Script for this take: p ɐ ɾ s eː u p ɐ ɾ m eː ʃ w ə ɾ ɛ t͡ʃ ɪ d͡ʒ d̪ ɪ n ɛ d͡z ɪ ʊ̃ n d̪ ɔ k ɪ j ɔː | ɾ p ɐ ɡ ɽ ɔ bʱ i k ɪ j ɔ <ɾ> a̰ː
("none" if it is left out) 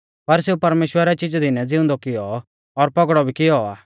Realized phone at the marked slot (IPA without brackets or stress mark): none